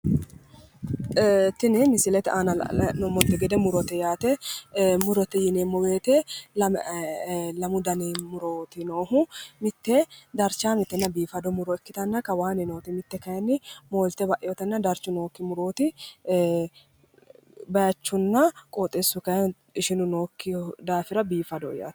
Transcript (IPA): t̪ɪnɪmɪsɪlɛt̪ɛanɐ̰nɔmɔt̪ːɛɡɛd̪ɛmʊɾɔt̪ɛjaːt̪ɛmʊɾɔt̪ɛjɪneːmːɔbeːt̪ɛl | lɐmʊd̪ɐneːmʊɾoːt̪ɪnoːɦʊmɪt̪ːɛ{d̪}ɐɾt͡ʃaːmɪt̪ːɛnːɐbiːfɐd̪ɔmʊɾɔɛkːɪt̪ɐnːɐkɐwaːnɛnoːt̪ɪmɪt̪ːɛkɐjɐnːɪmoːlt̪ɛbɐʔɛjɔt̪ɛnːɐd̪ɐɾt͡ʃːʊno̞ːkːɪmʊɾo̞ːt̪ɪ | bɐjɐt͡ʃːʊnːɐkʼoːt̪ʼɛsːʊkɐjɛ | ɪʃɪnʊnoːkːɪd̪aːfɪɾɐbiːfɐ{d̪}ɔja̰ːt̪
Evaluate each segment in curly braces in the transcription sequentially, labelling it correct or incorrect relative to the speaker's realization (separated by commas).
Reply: correct, correct